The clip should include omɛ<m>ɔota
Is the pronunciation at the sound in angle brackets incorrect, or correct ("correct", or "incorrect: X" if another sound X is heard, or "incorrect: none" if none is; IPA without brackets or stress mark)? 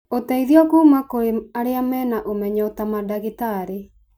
incorrect: ɲ